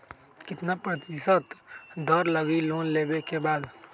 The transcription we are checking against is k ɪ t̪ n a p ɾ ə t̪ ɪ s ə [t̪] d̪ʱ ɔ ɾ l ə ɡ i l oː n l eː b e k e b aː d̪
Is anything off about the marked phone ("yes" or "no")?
no